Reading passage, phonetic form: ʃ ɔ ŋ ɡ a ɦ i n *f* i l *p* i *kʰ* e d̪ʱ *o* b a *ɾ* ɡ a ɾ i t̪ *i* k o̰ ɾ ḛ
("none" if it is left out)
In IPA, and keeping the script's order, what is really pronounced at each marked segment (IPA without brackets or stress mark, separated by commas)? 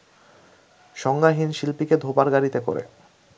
ʃ, p, k, o, ɾ, e